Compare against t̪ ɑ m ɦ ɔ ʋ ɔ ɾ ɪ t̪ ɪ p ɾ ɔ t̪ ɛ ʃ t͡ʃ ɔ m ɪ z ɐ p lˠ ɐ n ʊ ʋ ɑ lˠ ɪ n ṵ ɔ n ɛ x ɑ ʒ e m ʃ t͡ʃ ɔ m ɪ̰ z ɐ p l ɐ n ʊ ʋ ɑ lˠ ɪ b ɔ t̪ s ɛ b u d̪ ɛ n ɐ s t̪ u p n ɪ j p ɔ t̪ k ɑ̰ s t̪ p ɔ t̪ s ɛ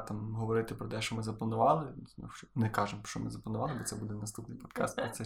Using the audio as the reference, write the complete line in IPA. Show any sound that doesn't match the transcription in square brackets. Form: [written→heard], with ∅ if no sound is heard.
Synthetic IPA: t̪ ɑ m ɦ ɔ ʋ ɔ ɾ ɪ t̪ ɪ p ɾ ɔ t̪ ɛ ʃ t͡ʃ ɔ m ɪ z ɐ p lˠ ɐ n ʊ ʋ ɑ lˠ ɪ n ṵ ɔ n ɛ [x→k] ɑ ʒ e m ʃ t͡ʃ ɔ m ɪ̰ z ɐ p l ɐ n ʊ ʋ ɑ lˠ ɪ b ɔ t̪ s ɛ b u d̪ ɛ n ɐ s t̪ u p n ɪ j p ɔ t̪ k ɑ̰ s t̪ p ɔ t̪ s ɛ